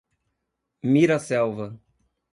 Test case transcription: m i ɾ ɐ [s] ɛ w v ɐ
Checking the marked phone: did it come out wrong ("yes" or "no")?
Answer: no